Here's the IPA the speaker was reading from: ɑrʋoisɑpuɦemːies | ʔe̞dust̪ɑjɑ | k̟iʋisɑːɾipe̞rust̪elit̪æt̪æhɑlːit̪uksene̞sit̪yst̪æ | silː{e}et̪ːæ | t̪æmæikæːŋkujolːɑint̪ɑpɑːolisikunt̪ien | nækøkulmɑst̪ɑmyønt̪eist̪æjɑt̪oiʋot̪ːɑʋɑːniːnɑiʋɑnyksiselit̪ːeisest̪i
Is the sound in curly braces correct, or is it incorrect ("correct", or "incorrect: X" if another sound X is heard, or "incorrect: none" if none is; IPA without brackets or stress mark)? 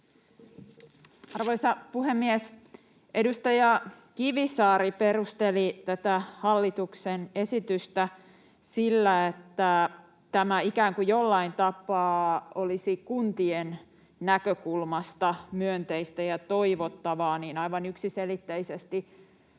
incorrect: æ